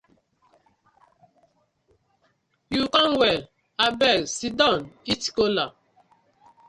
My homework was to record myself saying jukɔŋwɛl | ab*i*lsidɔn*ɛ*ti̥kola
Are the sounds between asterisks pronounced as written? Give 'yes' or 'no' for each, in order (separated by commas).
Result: no, no